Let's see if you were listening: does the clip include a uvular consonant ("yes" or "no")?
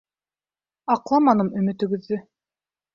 yes